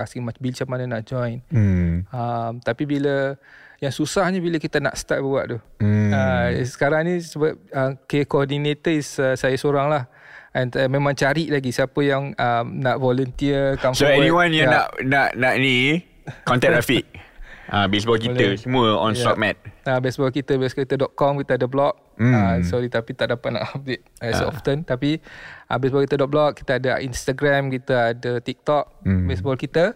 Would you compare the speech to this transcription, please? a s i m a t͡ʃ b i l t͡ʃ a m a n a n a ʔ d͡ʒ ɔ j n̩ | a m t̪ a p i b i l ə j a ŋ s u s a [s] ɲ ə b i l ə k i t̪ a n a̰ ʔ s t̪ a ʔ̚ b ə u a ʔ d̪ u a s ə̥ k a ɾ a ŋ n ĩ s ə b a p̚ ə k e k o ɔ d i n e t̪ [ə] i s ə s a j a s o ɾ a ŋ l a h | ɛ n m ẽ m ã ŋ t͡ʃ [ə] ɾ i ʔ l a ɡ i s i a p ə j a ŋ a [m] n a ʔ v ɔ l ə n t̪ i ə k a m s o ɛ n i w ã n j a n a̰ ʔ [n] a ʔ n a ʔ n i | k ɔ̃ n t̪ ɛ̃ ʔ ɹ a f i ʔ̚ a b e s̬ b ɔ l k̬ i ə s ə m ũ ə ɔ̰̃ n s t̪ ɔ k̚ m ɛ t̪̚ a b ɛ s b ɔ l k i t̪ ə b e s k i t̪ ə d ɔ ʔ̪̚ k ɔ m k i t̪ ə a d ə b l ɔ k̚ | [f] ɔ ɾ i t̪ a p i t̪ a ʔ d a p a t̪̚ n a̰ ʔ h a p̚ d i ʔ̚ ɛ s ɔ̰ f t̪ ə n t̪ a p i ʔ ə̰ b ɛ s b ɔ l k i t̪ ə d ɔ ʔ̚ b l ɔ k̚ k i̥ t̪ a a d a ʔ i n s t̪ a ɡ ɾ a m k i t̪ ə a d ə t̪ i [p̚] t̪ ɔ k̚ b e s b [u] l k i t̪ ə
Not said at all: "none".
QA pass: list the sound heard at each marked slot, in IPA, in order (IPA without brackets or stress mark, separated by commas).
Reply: h, ə, a, m, n, s, k̚, ɔ